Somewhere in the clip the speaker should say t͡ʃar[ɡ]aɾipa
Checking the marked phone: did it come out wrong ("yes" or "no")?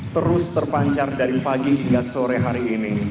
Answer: yes